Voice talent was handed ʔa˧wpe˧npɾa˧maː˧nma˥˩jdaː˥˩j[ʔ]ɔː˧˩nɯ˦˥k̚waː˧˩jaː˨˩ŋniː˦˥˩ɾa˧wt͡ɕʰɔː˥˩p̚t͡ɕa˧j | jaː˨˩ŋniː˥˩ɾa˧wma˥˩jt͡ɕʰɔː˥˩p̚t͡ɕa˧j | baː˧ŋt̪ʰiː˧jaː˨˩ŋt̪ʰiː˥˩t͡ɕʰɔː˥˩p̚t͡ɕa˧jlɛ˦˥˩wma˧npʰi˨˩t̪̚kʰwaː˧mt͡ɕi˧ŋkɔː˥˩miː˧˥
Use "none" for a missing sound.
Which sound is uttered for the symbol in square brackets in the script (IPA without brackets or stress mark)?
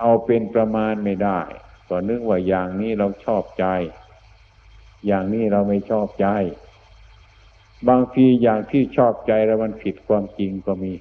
k